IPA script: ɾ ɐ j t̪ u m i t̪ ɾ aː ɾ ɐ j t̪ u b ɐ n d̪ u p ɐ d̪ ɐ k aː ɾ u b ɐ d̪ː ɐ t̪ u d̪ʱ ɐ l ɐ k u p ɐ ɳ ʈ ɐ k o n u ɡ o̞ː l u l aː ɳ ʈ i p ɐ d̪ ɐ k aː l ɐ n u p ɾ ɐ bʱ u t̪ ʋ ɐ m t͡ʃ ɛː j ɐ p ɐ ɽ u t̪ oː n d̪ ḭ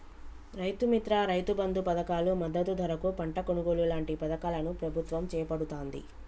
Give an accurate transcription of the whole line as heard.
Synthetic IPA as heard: ɾ ɐ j t̪ u m i t̪ ɾ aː ɾ ɐ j t̪ u b ɐ n d̪ u p ɐ d̪ ɐ k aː l u m ɐ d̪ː ɐ t̪ u d̪ʱ ɐ ɾ ɐ k u p ɐ ɳ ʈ ɐ k o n u ɡ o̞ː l u l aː ɳ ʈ i p ɐ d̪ ɐ k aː l ɐ n u p ɾ ɐ bʱ u t̪ ʋ ɐ m t͡ʃ ɛː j ɐ p ɐ ɽ u t̪ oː n d̪ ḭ

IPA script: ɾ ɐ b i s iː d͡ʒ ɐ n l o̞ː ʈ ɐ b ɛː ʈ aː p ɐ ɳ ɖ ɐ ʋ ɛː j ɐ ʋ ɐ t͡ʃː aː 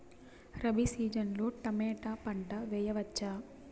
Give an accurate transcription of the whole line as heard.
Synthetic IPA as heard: ɾ ɐ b i s iː d͡ʒ ɐ n l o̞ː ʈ ɐ m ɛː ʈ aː p ɐ ɳ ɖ ɐ ʋ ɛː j ɐ ʋ ɐ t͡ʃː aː

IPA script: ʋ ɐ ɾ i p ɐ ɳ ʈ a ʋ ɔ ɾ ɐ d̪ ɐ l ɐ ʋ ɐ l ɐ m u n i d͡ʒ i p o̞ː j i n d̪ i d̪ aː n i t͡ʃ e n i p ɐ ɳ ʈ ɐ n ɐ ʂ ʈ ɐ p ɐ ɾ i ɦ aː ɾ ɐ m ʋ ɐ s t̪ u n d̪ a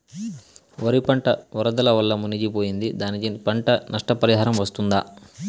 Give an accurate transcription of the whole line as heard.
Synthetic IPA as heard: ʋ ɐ ɾ i p ɐ ɳ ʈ ɐ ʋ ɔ ɾ ɐ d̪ ɐ l ɐ ʋ ɐ lː ɐ m u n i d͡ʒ i p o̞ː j i n d̪ i d̪ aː n i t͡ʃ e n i p ɐ ɳ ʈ ɐ n ɐ ʂ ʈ ɐ p ɐ ɾ i ɦ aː ɾ ɐ m ʋ ɐ s t̪ u n d̪ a

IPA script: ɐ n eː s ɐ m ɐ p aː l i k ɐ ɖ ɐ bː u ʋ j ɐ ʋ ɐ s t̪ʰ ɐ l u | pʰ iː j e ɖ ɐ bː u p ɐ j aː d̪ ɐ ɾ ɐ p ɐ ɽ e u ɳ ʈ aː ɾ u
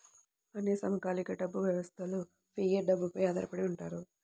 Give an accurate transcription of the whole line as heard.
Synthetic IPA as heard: ɐ n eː s ɐ m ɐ k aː l i k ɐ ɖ ɐ bː u ʋ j ɐ ʋ ɐ s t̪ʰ ɐ l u | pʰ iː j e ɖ ɐ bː u p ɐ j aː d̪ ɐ ɾ ɐ p ɐ ɽ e u ɳ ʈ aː ɾ u

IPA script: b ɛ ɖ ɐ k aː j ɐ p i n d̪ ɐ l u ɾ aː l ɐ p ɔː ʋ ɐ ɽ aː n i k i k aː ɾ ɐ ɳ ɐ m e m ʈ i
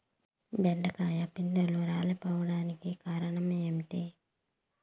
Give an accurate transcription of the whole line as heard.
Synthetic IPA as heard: b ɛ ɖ ɐ k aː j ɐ p i n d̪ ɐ l u ɾ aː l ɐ p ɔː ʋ ɐ ɽ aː n i k i k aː ɾ ɐ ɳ ɐ m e m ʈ i

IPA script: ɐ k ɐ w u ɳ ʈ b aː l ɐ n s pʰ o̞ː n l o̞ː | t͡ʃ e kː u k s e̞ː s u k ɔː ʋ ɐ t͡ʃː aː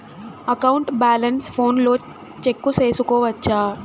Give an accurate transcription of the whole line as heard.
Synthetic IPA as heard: ɐ k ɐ w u ɳ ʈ b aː l ɐ n s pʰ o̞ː n l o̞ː | t͡ʃ e kː u s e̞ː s u k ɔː ʋ ɐ t͡ʃː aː

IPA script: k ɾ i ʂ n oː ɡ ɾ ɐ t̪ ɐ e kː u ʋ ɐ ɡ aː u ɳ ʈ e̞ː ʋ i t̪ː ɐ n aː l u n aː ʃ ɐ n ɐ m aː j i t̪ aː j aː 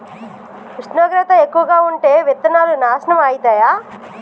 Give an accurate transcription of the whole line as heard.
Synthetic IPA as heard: k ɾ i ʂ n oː ɡ ɾ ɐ t̪ ɐ e kː u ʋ ɐ ɡ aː u ɳ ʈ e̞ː ʋ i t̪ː ɐ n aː l u n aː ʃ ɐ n ɐ m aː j i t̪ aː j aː

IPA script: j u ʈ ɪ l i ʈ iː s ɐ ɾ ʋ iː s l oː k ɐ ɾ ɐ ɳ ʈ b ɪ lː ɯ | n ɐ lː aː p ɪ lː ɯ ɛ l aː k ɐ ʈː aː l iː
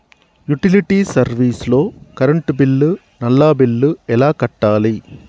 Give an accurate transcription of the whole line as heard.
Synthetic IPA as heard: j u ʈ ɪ l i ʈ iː s ɐ ɾ ʋ iː s l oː k ɐ ɾ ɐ ɳ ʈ b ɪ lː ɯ | n ɐ lː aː b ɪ lː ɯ ɛ l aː k ɐ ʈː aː l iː

